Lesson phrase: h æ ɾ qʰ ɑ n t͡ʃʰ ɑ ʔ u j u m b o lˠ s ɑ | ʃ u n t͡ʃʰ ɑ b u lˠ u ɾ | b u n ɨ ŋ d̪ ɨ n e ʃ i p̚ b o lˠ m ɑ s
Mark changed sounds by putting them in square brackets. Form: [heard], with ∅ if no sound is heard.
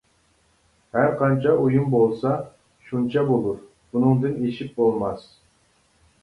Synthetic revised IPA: h æ ɾ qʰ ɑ n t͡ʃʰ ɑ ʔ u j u m b o lˠ s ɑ | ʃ u n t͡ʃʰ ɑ b [o] lˠ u ɾ | b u n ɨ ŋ d̪ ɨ n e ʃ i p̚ b o lˠ m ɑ s